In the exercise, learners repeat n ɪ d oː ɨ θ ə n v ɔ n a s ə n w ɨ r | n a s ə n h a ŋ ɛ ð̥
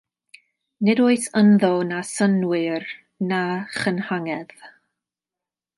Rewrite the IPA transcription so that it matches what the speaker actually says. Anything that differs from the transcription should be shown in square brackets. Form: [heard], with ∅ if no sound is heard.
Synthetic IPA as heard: n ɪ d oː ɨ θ ə n [ð] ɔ n a s ə n w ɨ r | n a [χ] ə n h a ŋ ɛ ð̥